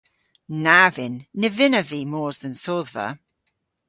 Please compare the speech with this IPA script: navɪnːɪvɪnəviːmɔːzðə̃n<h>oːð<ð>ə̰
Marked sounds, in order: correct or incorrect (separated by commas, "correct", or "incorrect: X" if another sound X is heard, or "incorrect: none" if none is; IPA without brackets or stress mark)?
incorrect: s, incorrect: v